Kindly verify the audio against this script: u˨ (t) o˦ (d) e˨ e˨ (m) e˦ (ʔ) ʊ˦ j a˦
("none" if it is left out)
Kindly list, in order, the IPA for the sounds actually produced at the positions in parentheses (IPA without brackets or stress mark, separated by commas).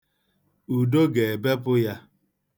d, ɡ, b, p